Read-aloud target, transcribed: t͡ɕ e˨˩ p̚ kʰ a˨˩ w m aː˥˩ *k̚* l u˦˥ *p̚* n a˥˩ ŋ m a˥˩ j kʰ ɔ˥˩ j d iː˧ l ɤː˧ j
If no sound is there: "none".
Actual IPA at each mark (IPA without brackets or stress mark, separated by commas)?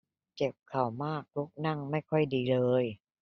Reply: k̚, k̚